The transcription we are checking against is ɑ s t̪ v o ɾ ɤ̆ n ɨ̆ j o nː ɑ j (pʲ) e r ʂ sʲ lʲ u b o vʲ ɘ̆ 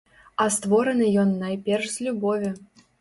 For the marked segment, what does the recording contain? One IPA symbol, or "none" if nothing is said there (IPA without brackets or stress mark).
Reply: pʲ